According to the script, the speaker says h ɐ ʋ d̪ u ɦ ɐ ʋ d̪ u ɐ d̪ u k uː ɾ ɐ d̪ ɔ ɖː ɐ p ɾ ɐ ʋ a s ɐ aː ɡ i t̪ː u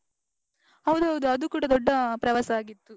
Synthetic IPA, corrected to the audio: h ɐ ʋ d̪ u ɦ ɐ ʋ d̪ u ɐ d̪ u k uː ɽ ɐ d̪ ɔ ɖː ɐ p ɾ ɐ ʋ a s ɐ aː ɡ i t̪ː u